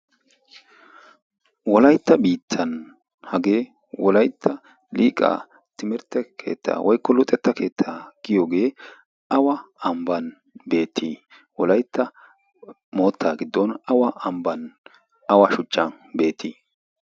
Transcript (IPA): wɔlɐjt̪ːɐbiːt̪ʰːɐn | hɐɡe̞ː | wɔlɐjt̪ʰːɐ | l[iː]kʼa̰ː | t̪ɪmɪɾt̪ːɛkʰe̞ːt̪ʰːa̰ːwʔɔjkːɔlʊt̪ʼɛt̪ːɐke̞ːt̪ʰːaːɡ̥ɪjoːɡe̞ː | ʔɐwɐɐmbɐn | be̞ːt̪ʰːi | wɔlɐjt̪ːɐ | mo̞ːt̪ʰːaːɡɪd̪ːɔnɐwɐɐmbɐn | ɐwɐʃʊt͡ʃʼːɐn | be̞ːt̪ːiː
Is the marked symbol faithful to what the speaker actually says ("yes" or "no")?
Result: yes